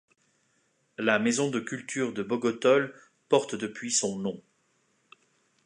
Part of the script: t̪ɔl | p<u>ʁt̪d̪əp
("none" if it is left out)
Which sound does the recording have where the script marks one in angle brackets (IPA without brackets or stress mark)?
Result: ɔ